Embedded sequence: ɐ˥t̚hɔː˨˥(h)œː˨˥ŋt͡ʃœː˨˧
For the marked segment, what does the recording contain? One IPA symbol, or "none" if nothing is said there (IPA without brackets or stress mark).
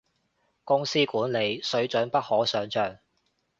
s